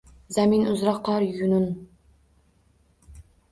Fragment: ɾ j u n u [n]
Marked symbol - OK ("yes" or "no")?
yes